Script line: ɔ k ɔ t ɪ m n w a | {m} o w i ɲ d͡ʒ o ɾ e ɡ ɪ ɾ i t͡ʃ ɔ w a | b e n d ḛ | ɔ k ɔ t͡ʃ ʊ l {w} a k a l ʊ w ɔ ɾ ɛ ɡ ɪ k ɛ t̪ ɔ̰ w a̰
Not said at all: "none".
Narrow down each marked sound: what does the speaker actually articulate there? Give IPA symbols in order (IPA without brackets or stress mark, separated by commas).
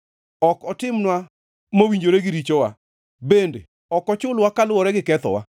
m, w